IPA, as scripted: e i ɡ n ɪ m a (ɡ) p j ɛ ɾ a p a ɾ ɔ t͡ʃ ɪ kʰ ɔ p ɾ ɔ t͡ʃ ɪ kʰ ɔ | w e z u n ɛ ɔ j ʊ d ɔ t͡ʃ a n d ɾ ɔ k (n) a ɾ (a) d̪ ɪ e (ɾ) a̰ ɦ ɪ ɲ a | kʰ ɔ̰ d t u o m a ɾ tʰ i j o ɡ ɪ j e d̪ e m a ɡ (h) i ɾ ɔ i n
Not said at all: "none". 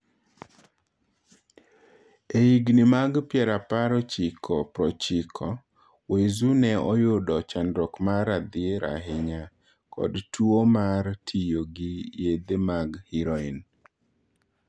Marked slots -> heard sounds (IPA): ɡ, m, a, ɾ, h

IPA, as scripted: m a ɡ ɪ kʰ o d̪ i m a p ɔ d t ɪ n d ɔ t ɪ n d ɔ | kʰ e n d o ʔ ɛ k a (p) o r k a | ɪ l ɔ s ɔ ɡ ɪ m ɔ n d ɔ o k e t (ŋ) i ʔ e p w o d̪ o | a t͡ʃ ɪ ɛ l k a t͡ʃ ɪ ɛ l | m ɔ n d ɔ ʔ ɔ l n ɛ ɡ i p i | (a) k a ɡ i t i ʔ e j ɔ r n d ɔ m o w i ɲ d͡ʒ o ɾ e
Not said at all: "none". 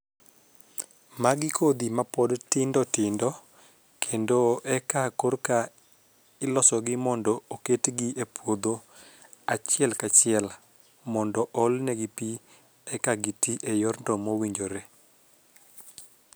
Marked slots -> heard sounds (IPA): k, ɡ, ɛ

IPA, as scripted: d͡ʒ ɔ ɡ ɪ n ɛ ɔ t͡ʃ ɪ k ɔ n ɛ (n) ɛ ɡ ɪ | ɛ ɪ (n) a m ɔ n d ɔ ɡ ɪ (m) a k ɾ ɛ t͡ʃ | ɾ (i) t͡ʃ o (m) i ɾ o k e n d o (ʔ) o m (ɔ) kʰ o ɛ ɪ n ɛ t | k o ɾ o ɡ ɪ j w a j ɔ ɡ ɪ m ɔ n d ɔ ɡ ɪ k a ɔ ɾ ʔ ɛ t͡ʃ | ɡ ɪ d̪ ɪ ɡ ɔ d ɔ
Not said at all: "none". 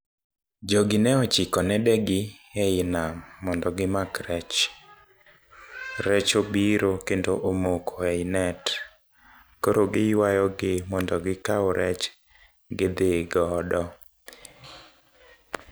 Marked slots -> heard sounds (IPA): d, n, m, ɛ, b, ʔ, o

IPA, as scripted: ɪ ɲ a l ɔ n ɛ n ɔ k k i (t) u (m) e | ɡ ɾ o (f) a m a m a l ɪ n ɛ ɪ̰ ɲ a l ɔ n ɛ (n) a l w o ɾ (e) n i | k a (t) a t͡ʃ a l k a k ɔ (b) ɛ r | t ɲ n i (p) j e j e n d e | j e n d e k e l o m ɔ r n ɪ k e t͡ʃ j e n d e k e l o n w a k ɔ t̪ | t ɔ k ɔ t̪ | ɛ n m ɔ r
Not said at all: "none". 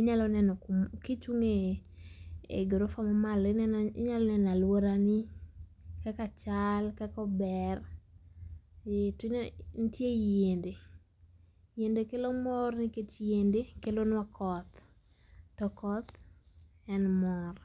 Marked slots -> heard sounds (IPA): t͡ʃ, ŋ, f, n, a, k, b, t

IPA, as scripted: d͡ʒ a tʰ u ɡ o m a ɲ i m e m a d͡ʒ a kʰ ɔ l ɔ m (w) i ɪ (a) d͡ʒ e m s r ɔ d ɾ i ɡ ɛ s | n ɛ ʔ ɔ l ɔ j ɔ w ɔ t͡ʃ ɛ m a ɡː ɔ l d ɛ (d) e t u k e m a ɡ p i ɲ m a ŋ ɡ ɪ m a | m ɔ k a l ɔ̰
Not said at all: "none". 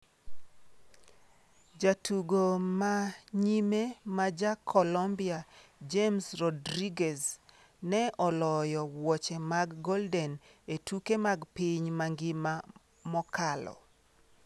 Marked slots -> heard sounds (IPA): b, a, n

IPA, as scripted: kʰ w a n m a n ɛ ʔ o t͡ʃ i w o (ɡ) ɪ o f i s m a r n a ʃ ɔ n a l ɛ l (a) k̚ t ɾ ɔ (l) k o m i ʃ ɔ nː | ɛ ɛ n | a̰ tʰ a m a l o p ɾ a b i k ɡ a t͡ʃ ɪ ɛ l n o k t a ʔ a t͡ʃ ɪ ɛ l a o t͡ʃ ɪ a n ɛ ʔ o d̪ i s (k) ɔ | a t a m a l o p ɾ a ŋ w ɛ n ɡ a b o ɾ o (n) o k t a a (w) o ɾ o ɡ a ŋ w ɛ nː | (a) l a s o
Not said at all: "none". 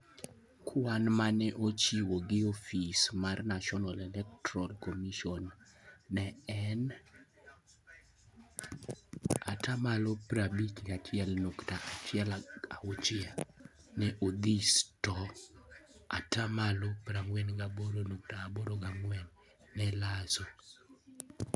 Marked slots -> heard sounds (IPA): ɡ, ɛ, l, t, n, b, ɛ

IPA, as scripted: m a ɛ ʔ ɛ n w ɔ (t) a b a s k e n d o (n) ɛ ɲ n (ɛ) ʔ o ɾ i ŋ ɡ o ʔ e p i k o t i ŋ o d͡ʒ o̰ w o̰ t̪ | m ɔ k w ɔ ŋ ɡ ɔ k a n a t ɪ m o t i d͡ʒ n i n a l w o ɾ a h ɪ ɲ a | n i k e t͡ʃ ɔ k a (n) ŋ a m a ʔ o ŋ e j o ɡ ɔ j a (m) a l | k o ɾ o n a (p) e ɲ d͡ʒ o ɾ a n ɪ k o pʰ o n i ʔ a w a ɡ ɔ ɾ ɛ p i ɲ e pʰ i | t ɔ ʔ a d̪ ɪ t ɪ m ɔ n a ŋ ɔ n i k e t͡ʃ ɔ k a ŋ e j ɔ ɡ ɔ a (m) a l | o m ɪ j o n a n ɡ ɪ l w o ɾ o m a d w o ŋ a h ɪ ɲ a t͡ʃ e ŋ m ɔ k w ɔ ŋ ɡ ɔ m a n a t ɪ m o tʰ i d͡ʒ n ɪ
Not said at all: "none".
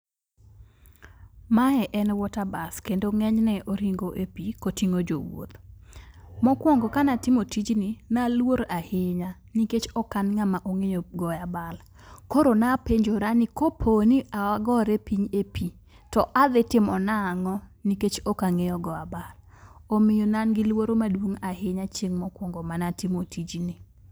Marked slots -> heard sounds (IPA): t, ŋ, ɛ, n, b, p, b

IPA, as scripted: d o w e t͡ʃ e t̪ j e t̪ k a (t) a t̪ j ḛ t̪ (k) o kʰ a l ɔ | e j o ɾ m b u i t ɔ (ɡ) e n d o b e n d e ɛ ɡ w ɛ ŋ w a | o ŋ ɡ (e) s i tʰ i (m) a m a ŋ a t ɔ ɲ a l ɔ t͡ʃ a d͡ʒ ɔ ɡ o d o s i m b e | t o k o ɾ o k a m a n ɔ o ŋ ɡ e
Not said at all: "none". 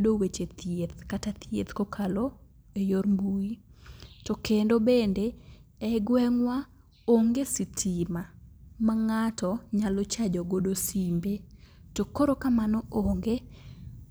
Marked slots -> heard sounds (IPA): t, k, k, e, m

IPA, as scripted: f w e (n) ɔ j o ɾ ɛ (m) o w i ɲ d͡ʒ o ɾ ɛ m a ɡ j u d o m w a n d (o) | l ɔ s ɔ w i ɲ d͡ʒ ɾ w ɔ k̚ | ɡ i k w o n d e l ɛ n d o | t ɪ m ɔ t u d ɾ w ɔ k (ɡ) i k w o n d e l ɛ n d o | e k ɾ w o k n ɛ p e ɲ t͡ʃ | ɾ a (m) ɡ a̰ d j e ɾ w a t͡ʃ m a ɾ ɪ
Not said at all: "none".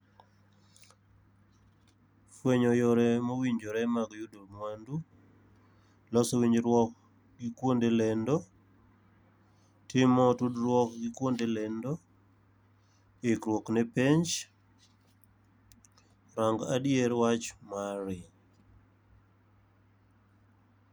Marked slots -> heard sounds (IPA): ɲ, m, u, ɡ, ŋ

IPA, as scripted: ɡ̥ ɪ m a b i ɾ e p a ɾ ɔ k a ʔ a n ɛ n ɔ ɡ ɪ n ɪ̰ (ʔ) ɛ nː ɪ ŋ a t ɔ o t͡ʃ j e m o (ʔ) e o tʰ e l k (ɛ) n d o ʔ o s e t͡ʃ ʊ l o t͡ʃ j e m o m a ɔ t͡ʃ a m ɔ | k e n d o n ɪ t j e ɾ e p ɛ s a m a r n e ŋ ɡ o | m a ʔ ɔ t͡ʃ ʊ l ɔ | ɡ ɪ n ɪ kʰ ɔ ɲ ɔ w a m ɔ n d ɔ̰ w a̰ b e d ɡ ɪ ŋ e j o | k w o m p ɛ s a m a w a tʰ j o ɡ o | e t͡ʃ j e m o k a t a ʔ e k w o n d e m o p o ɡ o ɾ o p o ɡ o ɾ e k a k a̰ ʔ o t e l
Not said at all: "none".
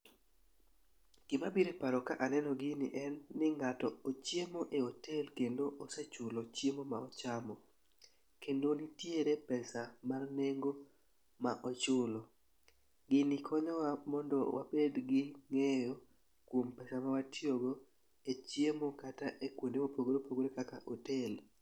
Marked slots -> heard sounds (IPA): ʔ, ʔ, e

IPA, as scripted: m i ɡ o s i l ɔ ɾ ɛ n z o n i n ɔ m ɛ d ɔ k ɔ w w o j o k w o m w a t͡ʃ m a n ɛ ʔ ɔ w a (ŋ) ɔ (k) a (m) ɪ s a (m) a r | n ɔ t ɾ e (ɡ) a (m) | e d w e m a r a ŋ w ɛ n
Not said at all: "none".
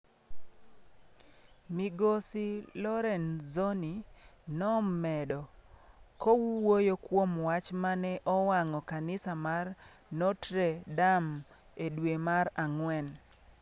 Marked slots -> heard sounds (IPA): ŋ, k, n, m, d, m

